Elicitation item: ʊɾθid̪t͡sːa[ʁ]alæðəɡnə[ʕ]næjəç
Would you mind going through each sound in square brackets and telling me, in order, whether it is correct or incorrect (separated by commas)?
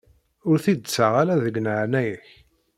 correct, correct